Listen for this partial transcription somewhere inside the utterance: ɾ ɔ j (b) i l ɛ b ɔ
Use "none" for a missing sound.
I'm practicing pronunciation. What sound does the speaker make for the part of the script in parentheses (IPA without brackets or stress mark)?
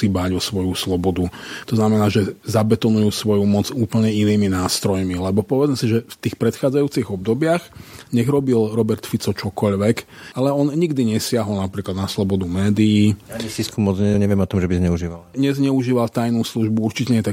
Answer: m